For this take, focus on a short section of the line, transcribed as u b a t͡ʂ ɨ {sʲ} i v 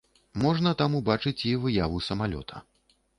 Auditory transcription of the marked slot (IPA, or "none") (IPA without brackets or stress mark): t͡sʲ